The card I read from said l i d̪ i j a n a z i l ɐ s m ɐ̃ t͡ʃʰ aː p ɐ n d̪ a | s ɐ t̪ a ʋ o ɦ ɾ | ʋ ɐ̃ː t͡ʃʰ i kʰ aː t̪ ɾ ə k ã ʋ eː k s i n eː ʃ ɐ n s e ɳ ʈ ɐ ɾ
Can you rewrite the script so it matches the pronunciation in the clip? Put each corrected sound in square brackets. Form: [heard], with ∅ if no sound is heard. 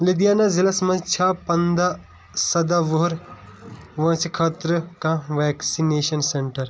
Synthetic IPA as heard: l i d̪ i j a n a z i l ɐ s m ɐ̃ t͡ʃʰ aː p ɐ n d̪ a | s ɐ [d̪] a ʋ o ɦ ɾ | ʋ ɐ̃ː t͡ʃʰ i kʰ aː t̪ ɾ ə k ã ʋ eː k s i n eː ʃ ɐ n s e ɳ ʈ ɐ ɾ